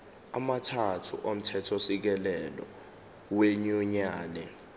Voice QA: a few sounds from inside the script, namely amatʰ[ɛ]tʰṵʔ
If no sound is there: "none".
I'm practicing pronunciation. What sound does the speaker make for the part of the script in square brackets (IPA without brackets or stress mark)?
a